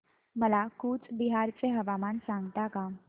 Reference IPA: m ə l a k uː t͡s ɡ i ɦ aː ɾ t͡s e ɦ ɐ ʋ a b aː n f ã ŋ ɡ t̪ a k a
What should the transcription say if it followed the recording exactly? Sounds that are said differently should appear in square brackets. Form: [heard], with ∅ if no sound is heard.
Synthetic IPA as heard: m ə l a k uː t͡s [b] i ɦ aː ɾ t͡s e ɦ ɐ ʋ a [m] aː n [s] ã ŋ ɡ t̪ a k a